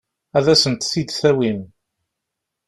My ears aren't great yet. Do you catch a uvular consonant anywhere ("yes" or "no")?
no